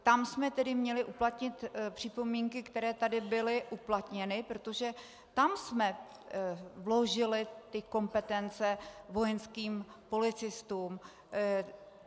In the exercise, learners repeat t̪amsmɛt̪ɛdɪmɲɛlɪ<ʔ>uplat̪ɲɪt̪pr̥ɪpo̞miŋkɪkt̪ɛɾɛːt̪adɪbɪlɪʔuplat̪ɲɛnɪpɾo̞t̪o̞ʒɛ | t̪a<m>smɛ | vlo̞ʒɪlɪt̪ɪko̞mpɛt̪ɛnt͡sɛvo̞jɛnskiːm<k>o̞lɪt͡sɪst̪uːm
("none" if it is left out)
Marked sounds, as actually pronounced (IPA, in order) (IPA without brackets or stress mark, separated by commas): ʔ, m, p